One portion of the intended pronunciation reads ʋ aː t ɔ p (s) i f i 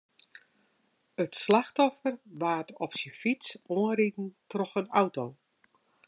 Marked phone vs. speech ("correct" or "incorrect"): correct